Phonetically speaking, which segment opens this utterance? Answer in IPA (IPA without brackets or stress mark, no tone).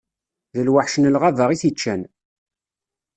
ð